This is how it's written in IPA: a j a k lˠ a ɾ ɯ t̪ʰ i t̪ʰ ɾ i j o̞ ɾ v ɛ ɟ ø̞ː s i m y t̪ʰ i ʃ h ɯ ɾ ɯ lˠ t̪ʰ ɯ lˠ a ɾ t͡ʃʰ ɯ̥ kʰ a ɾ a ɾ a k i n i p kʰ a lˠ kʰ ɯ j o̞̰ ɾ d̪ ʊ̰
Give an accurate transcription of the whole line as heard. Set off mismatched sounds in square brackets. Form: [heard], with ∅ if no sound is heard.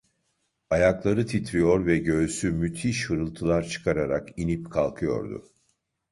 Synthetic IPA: a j a k lˠ a ɾ ɯ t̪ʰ i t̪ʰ ɾ i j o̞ ɾ v ɛ ɟ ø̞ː s [y] m y t̪ʰ i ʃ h ɯ ɾ ɯ lˠ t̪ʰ ɯ lˠ a ɾ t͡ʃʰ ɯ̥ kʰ a ɾ a ɾ a k i n i p kʰ a lˠ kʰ ɯ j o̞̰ ɾ d̪ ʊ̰